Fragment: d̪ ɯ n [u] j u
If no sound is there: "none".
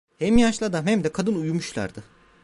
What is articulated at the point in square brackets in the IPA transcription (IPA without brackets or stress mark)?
u